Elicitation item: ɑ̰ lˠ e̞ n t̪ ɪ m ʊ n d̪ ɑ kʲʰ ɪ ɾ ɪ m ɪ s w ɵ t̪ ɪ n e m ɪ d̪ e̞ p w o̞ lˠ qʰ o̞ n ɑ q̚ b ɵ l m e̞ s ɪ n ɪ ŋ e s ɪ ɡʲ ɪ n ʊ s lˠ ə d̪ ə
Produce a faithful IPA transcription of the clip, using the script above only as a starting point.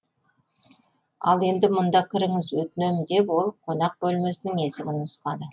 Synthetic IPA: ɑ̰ lˠ e̞ n d̪ ɪ m ʊ n d̪ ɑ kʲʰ ɪ ɾ ɪ ŋ ɪ z w ɵ t̪ ɪ n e m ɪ d̪ e̞ p w o̞ lˠ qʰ o̞ n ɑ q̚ b ɵ l m e̞ s ɪ n ɪ ŋ e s ɪ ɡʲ ɪ n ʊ s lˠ ɑ d̪ ə